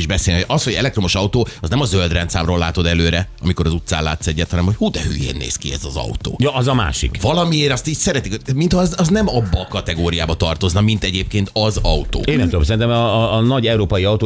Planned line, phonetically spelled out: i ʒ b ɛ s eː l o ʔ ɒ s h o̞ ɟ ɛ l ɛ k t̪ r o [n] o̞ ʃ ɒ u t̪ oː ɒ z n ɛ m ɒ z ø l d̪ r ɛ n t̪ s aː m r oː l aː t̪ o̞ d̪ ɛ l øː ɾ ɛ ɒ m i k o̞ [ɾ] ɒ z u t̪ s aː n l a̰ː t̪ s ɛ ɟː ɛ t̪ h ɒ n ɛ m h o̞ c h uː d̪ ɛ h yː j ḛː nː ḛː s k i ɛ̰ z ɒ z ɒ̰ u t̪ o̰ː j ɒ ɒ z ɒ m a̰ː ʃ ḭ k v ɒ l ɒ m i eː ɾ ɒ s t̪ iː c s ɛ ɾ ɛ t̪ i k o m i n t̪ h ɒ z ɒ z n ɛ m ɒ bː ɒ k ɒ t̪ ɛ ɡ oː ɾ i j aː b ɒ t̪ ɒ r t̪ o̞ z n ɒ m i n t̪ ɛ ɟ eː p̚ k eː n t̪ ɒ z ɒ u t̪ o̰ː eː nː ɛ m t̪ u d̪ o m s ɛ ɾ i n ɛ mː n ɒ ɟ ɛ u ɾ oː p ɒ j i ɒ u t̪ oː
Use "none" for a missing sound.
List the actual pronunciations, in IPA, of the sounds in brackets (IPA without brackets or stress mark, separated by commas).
m, ɾ